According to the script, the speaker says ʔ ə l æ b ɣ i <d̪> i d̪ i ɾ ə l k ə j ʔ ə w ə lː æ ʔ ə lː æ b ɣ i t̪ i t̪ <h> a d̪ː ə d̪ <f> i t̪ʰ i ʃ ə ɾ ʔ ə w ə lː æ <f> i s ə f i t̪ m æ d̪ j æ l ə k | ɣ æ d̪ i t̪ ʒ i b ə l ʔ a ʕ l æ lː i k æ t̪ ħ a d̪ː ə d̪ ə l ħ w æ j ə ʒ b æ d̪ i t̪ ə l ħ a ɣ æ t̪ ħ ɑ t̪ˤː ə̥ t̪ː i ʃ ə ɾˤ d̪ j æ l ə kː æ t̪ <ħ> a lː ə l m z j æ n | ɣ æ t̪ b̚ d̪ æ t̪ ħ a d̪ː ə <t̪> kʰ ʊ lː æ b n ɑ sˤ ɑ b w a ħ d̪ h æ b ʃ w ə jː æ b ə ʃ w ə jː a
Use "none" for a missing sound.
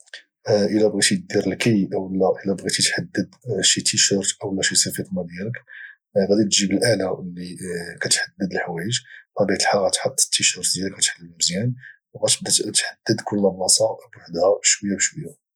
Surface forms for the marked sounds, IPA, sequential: t̪, ħ, ʃ, ʃ, ħ, d̪

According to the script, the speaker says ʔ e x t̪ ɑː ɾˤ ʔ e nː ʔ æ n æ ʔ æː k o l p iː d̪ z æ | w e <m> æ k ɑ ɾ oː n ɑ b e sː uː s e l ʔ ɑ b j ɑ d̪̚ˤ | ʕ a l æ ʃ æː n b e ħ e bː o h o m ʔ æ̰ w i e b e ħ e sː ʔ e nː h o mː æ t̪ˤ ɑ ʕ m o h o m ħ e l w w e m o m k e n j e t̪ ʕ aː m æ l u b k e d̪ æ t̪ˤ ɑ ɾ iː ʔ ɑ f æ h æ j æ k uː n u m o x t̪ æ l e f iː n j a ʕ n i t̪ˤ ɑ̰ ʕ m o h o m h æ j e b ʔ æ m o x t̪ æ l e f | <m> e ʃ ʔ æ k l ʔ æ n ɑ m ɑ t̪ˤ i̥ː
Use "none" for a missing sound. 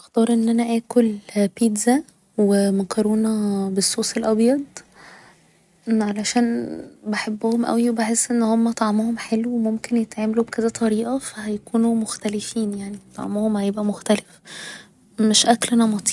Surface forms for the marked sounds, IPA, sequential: m, m

